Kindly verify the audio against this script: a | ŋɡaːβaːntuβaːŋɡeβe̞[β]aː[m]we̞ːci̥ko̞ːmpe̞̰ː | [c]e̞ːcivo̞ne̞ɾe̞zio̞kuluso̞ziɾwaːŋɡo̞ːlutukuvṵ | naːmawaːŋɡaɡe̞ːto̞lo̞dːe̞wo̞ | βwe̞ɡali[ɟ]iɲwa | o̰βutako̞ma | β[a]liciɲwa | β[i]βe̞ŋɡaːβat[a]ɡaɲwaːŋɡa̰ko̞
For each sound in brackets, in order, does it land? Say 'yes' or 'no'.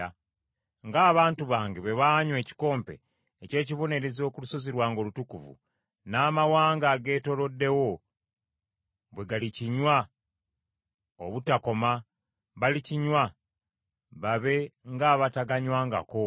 yes, no, yes, no, yes, no, yes

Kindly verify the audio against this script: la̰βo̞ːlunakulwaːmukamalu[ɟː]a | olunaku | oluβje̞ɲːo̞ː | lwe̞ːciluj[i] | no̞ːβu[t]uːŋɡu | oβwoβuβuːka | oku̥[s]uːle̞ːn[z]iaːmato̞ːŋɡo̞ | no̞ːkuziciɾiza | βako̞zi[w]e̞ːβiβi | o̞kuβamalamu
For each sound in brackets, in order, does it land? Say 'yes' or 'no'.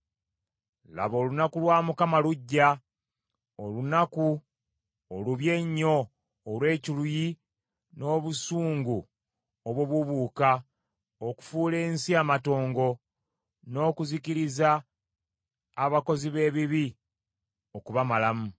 yes, yes, no, no, no, no

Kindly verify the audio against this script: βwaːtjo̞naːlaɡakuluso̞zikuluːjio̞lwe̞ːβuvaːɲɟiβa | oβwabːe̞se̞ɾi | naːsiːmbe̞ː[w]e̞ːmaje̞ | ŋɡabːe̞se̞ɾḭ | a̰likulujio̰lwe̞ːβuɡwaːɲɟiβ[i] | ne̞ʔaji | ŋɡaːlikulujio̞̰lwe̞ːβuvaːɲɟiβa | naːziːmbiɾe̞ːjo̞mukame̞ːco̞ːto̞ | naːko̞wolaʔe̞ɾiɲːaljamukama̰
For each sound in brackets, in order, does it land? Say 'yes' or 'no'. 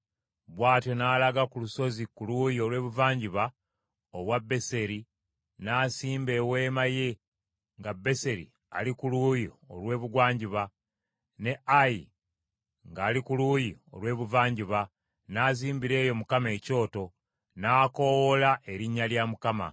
yes, no

